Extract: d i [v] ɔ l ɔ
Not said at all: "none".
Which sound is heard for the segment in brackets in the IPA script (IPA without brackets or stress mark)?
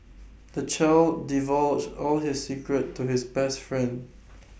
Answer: v